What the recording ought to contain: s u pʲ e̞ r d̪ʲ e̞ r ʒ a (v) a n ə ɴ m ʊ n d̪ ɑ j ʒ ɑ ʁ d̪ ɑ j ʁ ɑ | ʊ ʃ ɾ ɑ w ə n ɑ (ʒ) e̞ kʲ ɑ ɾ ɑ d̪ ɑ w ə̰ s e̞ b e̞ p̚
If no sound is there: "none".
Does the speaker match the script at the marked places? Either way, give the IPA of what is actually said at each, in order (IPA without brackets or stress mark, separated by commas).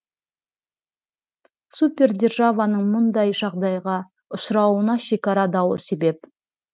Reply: v, ʃ